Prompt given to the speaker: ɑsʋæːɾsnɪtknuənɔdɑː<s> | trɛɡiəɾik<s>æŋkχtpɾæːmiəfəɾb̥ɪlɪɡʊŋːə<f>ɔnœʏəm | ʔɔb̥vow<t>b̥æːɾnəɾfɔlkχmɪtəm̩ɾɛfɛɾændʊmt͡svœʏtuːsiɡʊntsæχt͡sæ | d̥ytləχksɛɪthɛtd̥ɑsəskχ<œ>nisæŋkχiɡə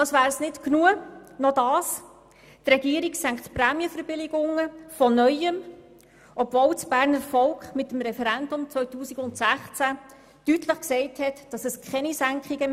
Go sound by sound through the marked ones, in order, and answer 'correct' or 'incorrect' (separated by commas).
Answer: correct, correct, correct, incorrect, incorrect